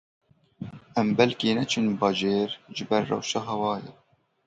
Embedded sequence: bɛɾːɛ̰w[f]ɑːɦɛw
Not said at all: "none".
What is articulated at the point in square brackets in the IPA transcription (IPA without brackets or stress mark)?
ʃ